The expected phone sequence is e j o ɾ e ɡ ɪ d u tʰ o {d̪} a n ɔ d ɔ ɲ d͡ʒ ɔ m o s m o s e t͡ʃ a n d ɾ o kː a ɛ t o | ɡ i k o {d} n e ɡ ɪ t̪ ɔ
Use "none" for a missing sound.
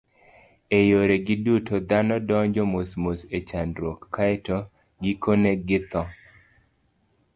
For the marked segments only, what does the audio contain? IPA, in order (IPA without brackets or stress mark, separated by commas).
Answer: d̪, none